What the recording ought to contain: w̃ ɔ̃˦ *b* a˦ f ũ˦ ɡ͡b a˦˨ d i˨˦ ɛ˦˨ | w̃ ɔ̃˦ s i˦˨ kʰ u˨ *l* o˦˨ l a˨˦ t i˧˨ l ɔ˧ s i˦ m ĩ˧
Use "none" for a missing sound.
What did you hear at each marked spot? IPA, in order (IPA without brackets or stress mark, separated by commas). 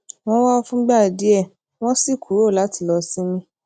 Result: w, ɾ